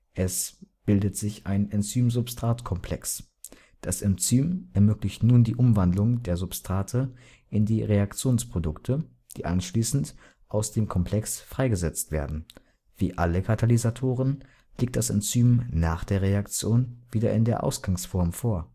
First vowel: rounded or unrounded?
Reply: unrounded